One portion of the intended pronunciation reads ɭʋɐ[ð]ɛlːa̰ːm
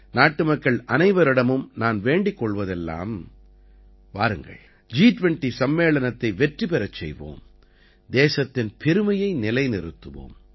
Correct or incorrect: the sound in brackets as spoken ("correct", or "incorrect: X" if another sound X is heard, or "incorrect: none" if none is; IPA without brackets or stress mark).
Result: correct